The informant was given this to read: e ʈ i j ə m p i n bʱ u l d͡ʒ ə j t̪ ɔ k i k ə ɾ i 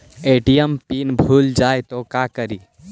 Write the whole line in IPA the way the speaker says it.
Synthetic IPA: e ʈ i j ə m p i n bʱ u l d͡ʒ a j t̪ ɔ k a k ə ɾ i